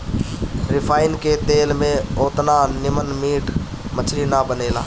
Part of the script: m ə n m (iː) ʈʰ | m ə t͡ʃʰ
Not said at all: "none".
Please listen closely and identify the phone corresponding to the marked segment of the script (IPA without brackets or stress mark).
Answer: iː